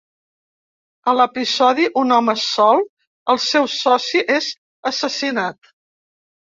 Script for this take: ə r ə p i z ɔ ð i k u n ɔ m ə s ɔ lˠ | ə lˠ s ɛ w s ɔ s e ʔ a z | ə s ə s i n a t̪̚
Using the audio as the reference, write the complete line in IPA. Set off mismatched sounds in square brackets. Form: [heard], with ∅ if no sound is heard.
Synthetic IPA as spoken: ə [l] ə p i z ɔ ð i [ʔ] u n ɔ m ə s ɔ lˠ | ə lˠ s ɛ w s ɔ s [i] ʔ [e] z | ə s ə s i n a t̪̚